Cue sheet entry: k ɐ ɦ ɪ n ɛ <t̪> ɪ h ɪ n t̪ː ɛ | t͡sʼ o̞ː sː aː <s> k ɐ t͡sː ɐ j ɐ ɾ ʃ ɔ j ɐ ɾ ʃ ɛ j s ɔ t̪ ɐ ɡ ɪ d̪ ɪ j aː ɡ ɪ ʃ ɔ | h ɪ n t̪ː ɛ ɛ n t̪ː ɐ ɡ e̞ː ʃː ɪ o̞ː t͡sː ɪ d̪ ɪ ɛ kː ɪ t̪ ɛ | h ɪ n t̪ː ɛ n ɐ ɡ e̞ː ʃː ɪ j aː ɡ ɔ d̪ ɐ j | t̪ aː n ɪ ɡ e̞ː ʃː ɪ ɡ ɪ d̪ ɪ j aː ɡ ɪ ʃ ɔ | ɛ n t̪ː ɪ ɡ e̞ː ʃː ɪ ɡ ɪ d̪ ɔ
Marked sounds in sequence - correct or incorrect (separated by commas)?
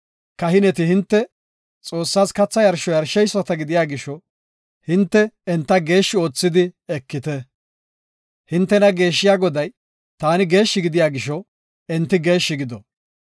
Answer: correct, correct